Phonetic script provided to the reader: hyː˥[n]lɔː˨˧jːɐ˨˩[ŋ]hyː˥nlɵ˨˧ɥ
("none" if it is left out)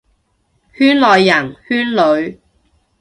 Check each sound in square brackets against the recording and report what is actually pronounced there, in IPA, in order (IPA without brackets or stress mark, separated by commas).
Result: n, n